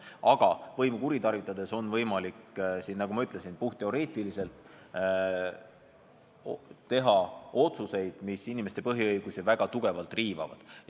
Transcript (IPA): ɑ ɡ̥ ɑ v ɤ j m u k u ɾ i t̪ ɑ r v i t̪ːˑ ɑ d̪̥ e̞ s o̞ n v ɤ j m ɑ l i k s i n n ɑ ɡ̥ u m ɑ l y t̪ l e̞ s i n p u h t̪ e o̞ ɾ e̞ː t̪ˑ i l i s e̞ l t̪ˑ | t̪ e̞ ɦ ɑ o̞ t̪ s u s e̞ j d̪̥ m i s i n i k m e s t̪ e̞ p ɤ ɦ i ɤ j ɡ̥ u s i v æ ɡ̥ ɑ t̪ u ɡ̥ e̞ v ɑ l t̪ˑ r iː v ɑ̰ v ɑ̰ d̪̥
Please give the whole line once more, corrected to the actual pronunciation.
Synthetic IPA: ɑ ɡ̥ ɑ v ɤ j m u k u ɾ i t̪ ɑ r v i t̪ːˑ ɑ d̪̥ e̞ s o̞ n v ɤ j m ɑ l i k s i n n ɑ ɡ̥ u m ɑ y t̪ l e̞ s i n p u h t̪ e o̞ ɾ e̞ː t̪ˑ i l i s e̞ l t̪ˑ | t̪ e̞ ɦ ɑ o̞ t̪ s u s e̞ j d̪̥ m i s i n i m e s t̪ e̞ p ɤ ɦ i ɤ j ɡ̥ u s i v æ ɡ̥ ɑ t̪ u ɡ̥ e̞ v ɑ l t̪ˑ r iː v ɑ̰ v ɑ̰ d̪̥